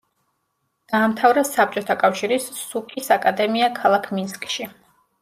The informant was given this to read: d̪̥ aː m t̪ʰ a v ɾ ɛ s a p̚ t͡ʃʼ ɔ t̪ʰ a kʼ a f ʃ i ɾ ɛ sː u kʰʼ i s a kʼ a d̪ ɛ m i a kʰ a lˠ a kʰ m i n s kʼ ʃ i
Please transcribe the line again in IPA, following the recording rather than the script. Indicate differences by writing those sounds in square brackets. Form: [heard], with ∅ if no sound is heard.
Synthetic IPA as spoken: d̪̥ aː m t̪ʰ a v ɾ ɛ s a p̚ t͡ʃʼ ɔ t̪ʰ a kʼ a f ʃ i ɾ [i] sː u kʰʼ i s a kʼ a d̪ ɛ m i a kʰ a lˠ a kʰ m i n s kʼ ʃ i